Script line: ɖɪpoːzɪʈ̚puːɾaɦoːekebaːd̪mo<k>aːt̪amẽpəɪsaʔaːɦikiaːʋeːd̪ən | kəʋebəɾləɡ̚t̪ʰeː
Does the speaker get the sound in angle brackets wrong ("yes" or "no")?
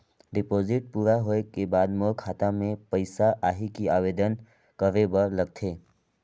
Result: yes